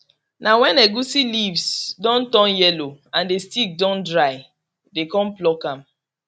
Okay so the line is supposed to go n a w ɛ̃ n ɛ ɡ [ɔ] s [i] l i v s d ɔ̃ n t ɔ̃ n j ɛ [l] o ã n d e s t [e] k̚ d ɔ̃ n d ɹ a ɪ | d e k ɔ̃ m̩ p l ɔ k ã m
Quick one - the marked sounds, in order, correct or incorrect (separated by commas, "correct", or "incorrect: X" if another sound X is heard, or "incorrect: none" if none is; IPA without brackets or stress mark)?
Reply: incorrect: u, correct, correct, incorrect: i